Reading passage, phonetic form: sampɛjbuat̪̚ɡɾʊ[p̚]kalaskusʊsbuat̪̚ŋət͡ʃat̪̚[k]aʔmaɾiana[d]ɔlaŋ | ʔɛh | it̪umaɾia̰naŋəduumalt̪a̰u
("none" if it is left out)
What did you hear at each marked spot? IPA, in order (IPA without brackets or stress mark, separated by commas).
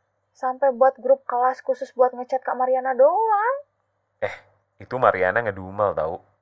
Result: p̚, k, d